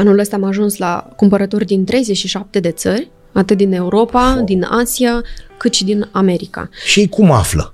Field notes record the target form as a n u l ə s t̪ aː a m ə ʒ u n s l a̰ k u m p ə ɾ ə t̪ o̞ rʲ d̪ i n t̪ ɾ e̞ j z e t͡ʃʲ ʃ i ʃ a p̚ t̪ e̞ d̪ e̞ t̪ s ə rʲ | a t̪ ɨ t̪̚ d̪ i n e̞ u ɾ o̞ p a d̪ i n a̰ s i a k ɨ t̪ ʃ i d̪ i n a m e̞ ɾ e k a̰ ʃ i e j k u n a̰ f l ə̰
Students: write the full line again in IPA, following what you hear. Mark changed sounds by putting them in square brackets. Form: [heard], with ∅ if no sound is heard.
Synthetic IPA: a n u l ə s t̪ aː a m [a] ʒ u n s l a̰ k u m p ə ɾ ə t̪ o̞ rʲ d̪ i n t̪ ɾ e̞ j z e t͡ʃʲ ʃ i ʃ a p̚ t̪ e̞ d̪ e̞ t̪ s ə rʲ | a t̪ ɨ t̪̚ d̪ i n e̞ u ɾ o̞ p a d̪ i n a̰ s i a k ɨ t̪ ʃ i d̪ i n a m e̞ ɾ [i] k a̰ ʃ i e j k u [m] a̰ f l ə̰